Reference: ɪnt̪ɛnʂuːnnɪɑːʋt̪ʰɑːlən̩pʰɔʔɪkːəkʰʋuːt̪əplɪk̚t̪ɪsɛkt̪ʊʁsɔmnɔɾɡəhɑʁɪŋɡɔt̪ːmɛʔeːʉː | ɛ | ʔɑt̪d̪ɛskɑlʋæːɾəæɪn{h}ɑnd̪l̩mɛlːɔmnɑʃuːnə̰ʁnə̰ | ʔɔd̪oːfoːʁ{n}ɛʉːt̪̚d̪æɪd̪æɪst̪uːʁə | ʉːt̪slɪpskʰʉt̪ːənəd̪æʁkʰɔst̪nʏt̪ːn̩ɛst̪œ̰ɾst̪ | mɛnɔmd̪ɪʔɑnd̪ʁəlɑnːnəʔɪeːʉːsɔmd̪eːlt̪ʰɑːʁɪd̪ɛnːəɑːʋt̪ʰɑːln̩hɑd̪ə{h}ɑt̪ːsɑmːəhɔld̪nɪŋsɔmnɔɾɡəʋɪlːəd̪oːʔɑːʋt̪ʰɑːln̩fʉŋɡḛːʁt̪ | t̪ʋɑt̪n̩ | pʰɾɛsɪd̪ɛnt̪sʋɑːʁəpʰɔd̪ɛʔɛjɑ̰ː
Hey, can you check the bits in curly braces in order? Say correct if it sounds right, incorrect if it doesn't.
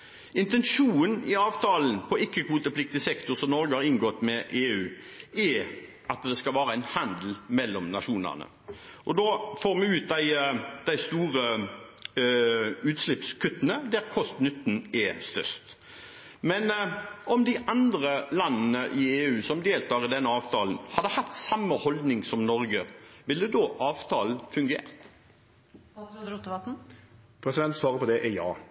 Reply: correct, incorrect, correct

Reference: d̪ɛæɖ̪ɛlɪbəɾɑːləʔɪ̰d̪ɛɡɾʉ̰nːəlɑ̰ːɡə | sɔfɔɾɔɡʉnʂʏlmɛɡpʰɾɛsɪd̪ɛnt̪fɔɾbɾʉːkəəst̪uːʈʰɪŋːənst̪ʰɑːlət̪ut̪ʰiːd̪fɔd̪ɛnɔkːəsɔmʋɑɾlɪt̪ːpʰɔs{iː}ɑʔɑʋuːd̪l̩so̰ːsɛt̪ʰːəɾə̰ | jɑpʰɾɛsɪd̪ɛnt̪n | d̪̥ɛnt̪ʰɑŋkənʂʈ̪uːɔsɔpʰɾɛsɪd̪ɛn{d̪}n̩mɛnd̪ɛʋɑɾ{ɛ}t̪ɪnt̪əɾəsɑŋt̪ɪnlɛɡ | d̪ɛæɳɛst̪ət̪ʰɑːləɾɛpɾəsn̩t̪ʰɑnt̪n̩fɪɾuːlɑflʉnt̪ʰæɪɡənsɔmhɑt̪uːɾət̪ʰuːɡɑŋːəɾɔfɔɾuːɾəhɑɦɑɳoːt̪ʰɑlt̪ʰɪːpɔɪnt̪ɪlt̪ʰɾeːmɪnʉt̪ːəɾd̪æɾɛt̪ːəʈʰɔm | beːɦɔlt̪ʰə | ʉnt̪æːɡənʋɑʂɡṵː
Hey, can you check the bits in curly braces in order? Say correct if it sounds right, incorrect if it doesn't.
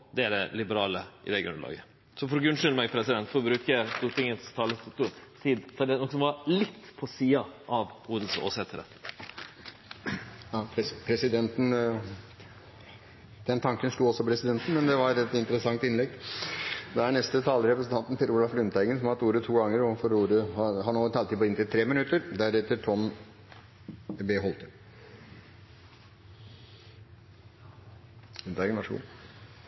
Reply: correct, incorrect, correct

